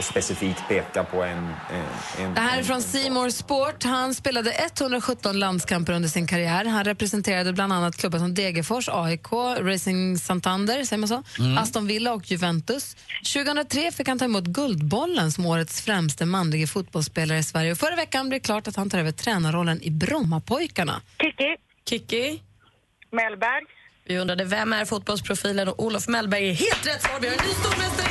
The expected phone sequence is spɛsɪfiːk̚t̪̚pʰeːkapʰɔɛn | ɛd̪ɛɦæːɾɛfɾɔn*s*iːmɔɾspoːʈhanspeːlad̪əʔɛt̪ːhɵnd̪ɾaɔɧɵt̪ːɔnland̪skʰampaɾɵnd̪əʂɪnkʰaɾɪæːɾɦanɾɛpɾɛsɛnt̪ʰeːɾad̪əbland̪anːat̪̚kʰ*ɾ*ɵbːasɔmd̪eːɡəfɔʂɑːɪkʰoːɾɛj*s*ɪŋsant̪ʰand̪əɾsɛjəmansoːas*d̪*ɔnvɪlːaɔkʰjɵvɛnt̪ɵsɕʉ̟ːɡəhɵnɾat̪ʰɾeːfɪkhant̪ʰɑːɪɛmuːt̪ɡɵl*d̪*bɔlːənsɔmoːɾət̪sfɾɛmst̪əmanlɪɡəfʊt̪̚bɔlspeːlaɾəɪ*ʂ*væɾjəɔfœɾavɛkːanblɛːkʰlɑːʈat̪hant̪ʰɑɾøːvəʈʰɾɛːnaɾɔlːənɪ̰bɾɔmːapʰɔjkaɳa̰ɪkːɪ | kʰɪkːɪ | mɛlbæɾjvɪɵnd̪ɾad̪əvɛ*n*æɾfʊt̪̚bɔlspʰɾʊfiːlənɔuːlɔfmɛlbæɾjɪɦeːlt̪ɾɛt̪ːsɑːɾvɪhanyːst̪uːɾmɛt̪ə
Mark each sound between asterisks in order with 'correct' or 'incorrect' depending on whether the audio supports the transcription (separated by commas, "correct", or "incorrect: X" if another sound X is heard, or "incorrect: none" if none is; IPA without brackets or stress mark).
correct, incorrect: l, correct, incorrect: t̪, correct, incorrect: s, incorrect: m